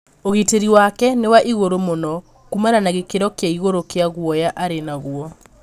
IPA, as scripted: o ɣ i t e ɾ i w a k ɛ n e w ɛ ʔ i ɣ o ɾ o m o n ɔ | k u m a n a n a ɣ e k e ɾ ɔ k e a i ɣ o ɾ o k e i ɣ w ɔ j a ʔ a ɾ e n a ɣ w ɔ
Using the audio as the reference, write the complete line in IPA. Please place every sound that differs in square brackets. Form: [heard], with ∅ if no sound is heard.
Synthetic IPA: o ɣ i t e ɾ i w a k ɛ n e w [a] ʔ i ɣ o ɾ o m o n ɔ | k u m a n a n a ɣ e k e ɾ ɔ k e a i ɣ o ɾ o k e [a] ɣ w ɔ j a ʔ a ɾ e n a ɣ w ɔ